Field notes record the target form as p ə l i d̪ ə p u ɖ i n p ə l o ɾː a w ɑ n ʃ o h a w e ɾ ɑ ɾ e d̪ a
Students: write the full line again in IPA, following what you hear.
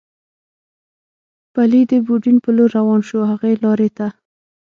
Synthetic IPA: p a l i d̪ ə b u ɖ i n p ə l o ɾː a w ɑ n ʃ o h a ɣ e l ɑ ɾ e t̪ a